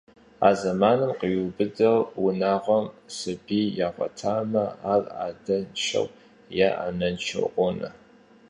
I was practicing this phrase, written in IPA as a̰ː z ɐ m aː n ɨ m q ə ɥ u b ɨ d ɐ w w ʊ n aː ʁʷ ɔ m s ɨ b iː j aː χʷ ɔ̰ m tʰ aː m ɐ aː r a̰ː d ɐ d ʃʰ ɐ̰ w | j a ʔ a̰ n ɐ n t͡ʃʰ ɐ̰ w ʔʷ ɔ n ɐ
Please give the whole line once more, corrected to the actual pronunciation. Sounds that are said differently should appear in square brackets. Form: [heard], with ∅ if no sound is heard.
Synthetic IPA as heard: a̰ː z ɐ m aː n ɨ m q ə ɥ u b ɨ d ɐ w w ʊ n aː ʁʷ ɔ m s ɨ b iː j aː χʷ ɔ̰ [∅] tʰ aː m ɐ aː r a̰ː d ɐ [n] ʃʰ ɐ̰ w | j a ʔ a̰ n ɐ n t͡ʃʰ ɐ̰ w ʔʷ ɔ n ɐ